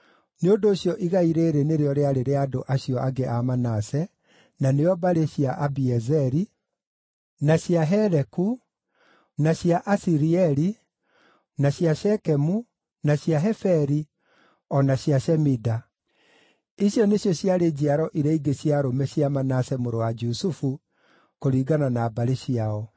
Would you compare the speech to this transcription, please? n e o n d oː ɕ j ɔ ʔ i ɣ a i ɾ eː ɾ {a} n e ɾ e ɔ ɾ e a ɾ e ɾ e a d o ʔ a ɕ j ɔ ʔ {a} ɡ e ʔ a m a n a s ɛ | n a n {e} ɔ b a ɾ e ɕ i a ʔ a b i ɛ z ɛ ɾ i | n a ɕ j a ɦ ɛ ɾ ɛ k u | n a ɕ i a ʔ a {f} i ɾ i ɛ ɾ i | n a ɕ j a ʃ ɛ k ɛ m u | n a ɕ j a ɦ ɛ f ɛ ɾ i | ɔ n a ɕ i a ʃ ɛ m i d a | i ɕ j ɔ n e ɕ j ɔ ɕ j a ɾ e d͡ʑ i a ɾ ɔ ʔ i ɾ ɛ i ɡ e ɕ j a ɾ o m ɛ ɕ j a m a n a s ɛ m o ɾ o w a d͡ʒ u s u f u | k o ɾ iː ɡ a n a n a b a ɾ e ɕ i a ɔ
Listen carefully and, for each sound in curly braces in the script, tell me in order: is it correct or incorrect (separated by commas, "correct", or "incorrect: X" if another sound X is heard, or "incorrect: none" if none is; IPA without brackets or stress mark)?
incorrect: e, correct, correct, incorrect: s